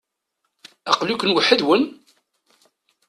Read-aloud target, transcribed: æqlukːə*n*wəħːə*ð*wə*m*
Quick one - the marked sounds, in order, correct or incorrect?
correct, correct, incorrect: n

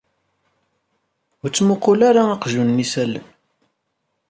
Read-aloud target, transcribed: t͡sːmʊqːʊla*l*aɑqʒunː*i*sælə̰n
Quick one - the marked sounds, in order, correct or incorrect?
incorrect: ɾ, correct

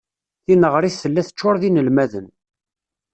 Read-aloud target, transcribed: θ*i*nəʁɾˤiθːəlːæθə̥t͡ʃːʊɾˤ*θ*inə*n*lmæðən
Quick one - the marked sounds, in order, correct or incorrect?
correct, incorrect: ð, incorrect: none

